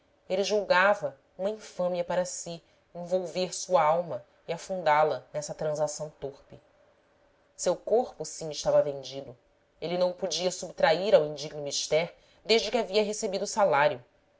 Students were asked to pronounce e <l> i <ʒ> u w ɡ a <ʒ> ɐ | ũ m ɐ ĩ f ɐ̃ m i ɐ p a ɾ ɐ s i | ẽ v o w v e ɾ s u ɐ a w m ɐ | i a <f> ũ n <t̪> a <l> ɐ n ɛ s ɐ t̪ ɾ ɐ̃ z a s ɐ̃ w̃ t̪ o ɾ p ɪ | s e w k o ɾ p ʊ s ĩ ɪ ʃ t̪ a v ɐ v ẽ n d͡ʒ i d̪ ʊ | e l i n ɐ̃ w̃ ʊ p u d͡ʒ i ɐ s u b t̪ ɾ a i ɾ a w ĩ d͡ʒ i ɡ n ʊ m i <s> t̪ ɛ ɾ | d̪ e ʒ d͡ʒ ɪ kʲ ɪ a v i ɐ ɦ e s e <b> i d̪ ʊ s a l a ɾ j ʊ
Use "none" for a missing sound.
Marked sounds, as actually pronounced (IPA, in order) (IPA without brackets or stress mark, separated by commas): l, ʒ, v, f, d̪, l, ʃ, b